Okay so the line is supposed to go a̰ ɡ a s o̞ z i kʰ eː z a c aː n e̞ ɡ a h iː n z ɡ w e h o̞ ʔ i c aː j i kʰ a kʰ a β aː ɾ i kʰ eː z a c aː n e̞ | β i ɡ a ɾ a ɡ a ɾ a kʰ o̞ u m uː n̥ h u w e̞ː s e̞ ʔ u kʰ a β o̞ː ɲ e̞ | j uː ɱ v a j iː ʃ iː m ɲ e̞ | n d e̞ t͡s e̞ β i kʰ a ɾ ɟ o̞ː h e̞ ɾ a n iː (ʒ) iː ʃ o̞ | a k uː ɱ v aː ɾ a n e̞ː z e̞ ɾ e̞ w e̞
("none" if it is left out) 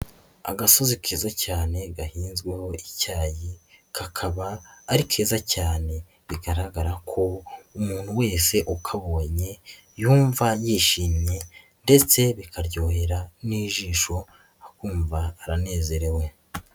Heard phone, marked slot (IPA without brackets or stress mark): ʒ